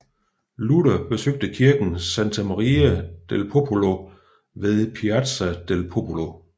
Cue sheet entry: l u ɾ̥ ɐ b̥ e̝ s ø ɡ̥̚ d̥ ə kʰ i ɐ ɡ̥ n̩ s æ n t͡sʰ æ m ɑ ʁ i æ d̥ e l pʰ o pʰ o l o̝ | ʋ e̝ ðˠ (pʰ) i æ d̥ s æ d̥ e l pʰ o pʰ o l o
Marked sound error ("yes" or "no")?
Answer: no